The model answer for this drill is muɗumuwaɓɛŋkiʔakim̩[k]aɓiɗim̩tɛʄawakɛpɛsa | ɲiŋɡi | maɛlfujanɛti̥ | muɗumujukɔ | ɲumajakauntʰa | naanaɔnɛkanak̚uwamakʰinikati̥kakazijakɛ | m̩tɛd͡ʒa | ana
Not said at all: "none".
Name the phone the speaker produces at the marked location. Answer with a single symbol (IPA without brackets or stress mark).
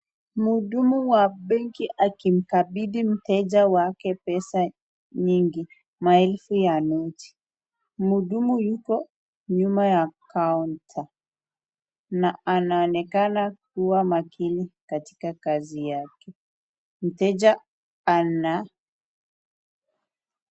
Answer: k